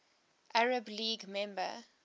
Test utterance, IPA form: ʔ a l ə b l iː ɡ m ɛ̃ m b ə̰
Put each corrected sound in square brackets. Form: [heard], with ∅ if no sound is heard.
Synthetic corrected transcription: ʔ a [ɹ] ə b l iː ɡ m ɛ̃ m b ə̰